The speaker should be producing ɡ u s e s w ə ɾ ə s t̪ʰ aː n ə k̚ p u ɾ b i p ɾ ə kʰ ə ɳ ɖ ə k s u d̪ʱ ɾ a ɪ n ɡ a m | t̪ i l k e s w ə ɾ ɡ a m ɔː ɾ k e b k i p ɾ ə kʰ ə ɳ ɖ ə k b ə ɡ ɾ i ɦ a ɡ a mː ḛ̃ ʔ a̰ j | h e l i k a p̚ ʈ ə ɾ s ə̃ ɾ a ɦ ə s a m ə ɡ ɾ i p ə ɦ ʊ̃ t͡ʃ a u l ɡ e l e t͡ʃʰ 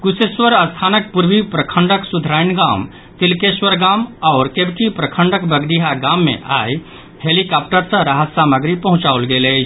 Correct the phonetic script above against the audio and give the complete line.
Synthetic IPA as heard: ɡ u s e s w ə ɾ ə s t̪ʰ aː n ə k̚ p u ɾ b i p ɾ ə kʰ ə ɳ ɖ ə k s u d̪ʱ ɾ a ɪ n ɡ a m | t̪ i l k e s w ə ɾ ɡ a m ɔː ɾ k e b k i p ɾ ə kʰ ə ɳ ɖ ə k b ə ɡ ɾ i ɦ a ɡ a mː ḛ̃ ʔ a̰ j | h e l i k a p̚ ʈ ə ɾ s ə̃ ɾ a ɦ ə s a m ə ɡ ɾ i p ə ɦ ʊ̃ t͡ʃ a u l ɡ e l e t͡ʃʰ